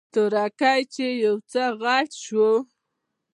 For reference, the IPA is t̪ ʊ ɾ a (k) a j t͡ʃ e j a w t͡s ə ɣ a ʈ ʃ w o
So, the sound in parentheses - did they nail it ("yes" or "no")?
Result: yes